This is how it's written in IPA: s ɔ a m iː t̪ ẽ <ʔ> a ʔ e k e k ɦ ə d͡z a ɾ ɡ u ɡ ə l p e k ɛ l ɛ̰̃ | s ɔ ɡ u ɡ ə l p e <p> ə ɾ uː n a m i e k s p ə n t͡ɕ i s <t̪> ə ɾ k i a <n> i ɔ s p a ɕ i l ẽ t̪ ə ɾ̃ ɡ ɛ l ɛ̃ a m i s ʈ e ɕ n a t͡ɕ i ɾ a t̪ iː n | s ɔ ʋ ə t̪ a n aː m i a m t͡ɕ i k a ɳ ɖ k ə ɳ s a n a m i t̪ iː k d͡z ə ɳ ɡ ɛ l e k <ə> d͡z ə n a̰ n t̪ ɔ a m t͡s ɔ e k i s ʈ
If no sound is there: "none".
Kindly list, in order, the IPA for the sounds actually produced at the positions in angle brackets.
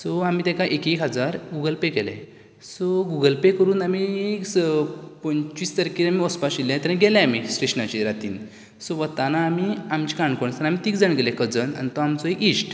k, k, t̪, m, ə

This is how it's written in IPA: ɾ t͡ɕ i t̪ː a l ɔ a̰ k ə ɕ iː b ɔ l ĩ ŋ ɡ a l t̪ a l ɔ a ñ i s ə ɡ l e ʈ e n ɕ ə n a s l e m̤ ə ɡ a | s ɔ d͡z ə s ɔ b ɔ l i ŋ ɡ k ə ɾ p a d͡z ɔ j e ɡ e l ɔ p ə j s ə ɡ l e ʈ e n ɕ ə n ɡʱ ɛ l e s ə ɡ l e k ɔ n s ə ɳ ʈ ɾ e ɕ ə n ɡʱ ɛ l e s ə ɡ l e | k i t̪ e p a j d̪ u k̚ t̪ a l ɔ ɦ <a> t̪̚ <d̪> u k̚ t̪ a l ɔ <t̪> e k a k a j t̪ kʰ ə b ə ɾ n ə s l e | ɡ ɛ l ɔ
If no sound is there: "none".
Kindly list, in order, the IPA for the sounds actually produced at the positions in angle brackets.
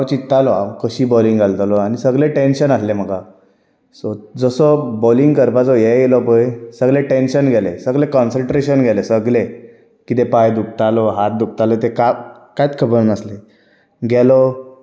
a, d̪, t̪

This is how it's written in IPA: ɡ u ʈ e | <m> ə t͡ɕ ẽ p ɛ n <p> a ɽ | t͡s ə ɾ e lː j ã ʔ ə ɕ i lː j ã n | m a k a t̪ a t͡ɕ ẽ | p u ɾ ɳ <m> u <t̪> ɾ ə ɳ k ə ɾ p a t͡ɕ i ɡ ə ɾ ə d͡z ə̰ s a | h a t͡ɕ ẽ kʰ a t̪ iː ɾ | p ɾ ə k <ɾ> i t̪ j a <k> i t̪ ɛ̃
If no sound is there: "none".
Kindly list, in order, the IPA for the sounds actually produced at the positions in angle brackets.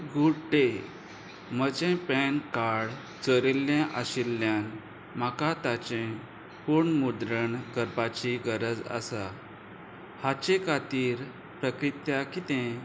m, k, m, d̪, ɾ, k

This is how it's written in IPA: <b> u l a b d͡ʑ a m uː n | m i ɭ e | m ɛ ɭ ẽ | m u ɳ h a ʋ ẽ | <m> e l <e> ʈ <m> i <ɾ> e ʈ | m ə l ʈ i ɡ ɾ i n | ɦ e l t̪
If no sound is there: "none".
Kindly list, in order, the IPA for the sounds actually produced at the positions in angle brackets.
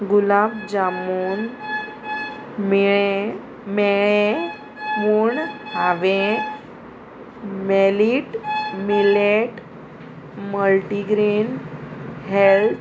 ɡ, m, i, m, l

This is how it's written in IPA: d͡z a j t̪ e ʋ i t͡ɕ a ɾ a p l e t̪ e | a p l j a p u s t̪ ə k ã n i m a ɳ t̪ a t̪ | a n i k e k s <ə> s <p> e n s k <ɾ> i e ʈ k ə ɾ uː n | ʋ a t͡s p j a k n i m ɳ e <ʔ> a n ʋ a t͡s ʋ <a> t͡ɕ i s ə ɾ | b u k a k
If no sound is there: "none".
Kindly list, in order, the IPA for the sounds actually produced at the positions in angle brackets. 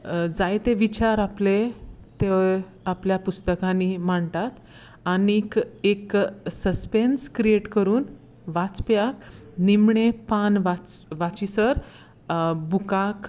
ə, p, ɾ, p, a

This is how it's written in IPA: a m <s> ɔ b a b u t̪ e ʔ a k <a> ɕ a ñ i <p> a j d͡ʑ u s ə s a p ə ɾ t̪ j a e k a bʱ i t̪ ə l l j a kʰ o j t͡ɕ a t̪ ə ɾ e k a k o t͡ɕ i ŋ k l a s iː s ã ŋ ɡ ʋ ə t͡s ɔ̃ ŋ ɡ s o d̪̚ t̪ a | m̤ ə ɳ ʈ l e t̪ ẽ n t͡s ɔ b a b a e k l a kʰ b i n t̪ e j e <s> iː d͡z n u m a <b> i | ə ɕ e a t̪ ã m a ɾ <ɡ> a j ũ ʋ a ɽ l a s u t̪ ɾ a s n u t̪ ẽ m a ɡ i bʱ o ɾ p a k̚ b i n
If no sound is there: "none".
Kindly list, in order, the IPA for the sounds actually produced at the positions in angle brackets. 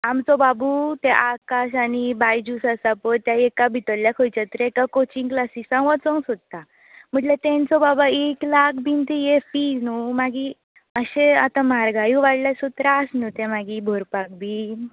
t͡s, a, b, f, ɡ, ɡ

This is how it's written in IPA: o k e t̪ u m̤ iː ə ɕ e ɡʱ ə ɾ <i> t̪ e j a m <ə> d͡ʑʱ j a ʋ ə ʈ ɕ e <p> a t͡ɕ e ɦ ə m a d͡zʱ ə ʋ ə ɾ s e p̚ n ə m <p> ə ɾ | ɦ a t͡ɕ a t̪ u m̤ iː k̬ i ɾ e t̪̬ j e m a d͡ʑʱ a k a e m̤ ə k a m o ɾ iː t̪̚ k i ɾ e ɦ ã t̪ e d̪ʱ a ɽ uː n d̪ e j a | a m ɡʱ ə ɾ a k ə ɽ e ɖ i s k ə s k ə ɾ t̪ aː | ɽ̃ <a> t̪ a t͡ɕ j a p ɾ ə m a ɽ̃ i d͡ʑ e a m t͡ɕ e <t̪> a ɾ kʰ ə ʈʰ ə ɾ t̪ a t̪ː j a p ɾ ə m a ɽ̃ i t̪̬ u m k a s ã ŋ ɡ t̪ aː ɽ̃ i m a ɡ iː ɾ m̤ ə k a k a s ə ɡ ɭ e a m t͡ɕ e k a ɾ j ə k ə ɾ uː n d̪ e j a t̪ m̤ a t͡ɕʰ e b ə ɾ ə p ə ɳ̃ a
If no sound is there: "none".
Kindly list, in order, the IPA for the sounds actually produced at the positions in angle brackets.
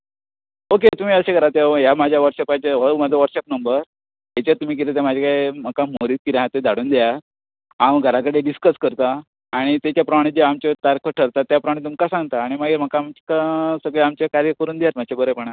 a, a, p, b, i, t̪

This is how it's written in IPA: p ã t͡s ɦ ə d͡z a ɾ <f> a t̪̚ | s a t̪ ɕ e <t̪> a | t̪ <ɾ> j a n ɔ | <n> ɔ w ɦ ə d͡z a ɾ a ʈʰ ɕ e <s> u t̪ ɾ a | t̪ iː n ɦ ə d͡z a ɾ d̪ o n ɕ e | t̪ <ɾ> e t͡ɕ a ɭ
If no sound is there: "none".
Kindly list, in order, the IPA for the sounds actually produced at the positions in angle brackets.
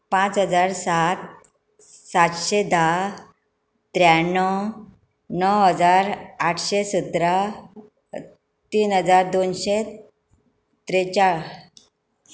s, d̪, ɾ, n, s, ɾ

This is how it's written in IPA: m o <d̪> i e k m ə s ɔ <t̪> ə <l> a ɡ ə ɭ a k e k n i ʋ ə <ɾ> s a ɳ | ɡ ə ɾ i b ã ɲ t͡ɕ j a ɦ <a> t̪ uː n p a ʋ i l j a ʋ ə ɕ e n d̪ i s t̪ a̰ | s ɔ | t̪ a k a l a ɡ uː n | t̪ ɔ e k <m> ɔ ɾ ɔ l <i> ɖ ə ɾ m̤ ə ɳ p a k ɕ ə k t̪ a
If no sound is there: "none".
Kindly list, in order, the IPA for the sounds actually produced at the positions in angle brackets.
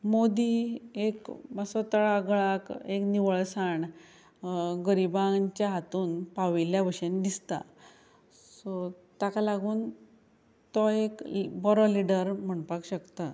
d̪, t̪, ɭ, ɭ, a, b, i

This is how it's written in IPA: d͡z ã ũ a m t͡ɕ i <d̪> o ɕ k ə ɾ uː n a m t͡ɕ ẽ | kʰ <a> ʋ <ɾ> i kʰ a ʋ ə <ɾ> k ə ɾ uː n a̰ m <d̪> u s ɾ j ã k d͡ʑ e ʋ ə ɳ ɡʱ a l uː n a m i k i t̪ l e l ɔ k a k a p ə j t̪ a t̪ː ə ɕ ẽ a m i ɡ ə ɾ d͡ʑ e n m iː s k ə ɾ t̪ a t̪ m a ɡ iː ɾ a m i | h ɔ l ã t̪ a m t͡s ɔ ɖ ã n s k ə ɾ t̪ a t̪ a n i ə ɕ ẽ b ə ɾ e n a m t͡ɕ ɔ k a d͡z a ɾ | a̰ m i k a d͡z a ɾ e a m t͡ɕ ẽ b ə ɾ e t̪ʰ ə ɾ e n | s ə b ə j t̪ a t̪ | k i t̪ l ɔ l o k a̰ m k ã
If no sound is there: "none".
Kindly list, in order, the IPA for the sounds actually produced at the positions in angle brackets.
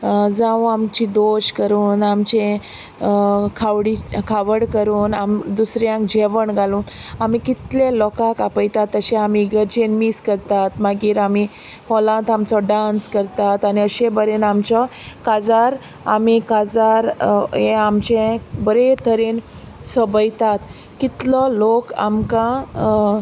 d̪, a, ɽ, ɽ, d̪

